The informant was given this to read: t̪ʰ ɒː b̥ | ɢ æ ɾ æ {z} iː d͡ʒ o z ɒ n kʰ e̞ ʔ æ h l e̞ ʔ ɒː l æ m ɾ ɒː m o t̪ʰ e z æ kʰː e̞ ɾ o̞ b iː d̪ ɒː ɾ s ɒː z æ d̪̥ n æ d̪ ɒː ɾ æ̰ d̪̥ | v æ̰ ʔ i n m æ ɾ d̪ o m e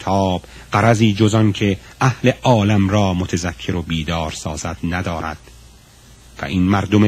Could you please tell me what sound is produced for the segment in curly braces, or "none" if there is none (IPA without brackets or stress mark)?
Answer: z